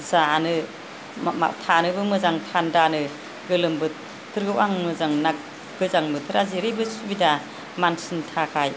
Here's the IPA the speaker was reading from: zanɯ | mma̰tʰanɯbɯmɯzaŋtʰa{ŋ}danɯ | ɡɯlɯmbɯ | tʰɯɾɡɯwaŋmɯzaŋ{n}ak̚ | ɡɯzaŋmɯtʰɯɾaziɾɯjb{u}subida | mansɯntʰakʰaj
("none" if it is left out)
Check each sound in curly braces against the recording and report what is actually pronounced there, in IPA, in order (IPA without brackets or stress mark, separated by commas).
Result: n, n, ɯ